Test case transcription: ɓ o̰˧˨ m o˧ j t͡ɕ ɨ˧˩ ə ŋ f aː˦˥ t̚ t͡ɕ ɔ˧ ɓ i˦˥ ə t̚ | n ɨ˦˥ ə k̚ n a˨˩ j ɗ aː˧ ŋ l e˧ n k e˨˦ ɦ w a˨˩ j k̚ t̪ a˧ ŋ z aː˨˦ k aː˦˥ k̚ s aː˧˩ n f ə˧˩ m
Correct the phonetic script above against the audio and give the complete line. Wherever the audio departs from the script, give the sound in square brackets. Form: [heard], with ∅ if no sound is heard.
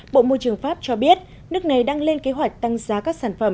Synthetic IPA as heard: ɓ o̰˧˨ m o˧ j t͡ɕ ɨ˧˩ ə ŋ f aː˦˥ [p̚] t͡ɕ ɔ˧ ɓ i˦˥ ə t̚ | n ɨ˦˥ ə k̚ n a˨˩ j ɗ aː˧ ŋ l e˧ n k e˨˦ ɦ w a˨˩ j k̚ t̪ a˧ ŋ z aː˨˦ k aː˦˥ k̚ s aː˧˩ n f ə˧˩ m

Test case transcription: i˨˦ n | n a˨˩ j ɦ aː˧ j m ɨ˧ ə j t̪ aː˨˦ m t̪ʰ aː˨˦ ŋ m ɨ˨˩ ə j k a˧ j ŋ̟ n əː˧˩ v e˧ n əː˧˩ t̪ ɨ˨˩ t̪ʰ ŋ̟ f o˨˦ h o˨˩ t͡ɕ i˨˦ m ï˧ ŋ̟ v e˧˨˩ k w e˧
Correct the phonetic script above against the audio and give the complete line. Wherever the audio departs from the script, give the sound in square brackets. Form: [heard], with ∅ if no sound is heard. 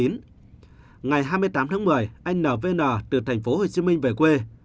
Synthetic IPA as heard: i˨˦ n | [ŋ] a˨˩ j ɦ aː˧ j m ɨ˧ ə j t̪ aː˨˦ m t̪ʰ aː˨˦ ŋ m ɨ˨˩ ə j [ʔ] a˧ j ŋ̟ n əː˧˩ v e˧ n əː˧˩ t̪ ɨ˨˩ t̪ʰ ŋ̟ f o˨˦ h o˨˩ t͡ɕ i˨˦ m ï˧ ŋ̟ v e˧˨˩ k w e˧

